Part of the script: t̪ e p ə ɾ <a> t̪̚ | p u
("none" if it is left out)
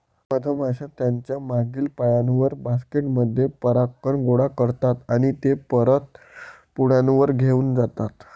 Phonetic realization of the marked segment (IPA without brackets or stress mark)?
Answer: ə